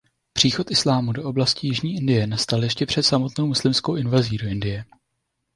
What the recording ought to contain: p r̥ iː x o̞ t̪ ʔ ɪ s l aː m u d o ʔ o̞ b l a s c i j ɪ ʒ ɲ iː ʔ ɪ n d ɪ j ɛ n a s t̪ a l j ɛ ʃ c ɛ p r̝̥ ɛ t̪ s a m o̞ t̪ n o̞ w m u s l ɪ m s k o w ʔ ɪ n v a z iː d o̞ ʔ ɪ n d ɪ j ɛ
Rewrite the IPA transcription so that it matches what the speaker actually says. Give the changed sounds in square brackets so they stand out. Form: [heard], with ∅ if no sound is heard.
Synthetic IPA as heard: p r̥ iː x o̞ t̪ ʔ ɪ s l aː m u d o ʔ o̞ b l a s c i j ɪ ʒ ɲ iː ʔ ɪ n d ɪ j ɛ n a s t̪ a l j ɛ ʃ c ɛ p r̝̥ ɛ t̪ s a m o̞ t̪ n o̞ w m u s l ɪ m s k o w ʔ ɪ n v a z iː d o̞ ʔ ɪ n d ɪ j ɛ